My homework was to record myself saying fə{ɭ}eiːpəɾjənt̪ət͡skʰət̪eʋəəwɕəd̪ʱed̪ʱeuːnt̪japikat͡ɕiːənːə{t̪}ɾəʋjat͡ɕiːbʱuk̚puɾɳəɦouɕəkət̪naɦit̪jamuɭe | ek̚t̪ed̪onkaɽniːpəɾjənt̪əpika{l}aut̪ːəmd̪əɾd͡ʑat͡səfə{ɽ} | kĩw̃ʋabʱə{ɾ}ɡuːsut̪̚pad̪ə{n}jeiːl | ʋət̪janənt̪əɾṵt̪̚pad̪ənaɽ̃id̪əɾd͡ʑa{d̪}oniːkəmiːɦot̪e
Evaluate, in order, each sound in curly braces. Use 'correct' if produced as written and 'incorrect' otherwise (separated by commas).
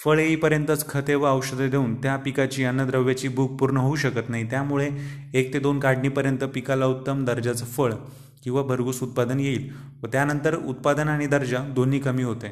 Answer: correct, incorrect, correct, incorrect, correct, correct, correct